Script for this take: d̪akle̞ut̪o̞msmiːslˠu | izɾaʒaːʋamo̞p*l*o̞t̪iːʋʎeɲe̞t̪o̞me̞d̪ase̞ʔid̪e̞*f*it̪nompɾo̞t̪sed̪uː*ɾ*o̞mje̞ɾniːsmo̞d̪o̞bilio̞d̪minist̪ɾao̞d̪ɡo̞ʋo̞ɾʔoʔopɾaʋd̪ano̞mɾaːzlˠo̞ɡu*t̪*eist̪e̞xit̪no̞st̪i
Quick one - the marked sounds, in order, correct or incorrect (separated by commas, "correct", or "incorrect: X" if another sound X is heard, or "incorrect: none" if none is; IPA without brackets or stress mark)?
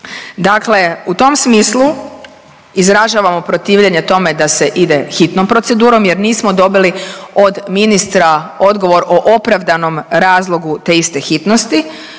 incorrect: ɾ, incorrect: x, correct, correct